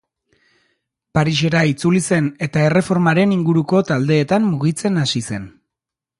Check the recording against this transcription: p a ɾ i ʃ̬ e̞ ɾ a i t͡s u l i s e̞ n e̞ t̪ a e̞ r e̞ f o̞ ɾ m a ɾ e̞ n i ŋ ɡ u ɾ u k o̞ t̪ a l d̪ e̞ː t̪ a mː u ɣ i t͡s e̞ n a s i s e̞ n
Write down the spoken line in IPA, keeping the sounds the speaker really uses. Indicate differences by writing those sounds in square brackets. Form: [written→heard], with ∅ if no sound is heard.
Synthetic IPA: p a ɾ i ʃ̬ e̞ ɾ a i t͡s u l i s e̞ n e̞ t̪ a e̞ r e̞ f o̞ ɾ m a ɾ e̞ n i ŋ ɡ u ɾ u k o̞ t̪ a l d̪ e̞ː t̪ a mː u ɣ i t͡s e̞ n a s i s e̞ n